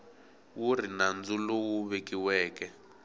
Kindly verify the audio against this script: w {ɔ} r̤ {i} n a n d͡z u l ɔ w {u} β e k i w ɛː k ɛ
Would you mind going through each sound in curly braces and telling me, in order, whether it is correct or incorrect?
incorrect: u, correct, correct

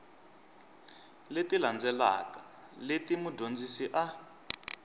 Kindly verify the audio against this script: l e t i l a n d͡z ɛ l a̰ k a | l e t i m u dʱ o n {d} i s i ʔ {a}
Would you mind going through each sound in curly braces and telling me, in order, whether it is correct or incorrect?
incorrect: d͡z, correct

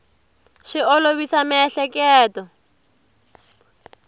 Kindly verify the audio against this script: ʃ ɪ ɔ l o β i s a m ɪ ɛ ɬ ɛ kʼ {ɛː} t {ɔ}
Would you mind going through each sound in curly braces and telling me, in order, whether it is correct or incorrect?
correct, correct

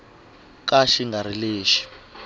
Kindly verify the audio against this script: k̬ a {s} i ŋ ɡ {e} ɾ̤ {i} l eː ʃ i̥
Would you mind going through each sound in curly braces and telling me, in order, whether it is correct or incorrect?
incorrect: ʃ, incorrect: a, correct

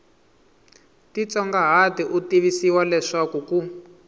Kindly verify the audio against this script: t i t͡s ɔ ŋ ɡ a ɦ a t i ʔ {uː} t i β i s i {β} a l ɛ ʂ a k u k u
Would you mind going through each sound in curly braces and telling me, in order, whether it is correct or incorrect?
incorrect: u, incorrect: w

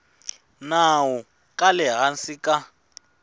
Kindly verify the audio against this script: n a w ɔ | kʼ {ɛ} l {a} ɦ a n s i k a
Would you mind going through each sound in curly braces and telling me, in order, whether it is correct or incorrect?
incorrect: a, incorrect: ɛ

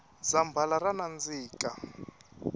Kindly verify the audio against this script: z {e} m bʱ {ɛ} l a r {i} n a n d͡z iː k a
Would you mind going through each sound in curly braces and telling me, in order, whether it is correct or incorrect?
incorrect: a, incorrect: a, incorrect: a

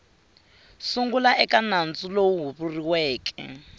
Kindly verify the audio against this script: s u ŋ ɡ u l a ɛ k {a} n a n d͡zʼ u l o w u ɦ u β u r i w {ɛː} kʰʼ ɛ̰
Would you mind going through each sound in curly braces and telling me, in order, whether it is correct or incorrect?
correct, correct

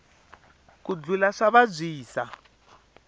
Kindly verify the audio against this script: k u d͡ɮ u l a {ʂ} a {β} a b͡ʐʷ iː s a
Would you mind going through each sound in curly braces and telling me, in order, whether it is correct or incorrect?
correct, correct

